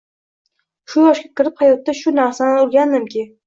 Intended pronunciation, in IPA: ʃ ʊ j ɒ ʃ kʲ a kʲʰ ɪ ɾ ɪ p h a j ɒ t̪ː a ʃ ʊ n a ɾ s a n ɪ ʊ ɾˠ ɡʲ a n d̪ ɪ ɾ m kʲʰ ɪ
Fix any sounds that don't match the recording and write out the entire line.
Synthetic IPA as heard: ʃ ʊ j ɒ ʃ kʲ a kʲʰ ɪ ɾ ɪ p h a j ɒ t̪ː a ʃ ʊ n a ɾ s a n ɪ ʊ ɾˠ ɡʲ a n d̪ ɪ m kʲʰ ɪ